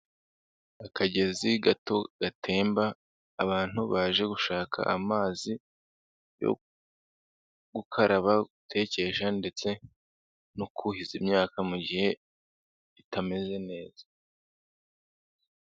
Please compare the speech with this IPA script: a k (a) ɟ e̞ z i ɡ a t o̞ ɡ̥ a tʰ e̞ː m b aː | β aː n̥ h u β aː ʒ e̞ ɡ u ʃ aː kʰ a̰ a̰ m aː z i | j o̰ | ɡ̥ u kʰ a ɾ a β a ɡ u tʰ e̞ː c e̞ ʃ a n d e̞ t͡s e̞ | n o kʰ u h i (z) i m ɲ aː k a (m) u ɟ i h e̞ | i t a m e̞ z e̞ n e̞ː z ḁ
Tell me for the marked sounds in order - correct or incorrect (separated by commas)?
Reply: correct, correct, correct